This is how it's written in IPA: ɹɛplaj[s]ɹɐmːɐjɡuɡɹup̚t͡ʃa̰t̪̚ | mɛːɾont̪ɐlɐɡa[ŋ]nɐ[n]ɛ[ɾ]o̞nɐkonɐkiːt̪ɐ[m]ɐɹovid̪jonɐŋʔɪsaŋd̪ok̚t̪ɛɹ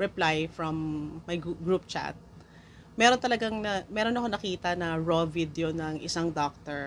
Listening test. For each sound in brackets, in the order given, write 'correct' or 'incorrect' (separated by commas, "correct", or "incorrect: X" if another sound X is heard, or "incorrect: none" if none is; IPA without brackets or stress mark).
incorrect: f, correct, incorrect: m, correct, incorrect: n